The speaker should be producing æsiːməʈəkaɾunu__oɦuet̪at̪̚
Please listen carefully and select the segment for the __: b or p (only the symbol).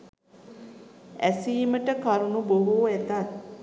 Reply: b